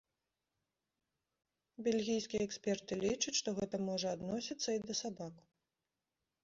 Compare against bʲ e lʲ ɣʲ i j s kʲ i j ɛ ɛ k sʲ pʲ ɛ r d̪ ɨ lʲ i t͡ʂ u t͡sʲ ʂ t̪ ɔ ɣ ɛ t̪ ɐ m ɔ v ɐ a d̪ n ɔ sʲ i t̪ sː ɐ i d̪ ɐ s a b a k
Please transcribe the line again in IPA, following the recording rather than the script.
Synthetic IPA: bʲ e lʲ ɣʲ i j s kʲ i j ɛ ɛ k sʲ pʲ ɛ r t̪ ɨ lʲ i t͡ʂ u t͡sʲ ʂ t̪ ɔ ɣ ɛ t̪ ɐ m ɔ ʐ ɐ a d̪ n ɔ sʲ i t̪ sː ɐ i d̪ ɐ s a b a k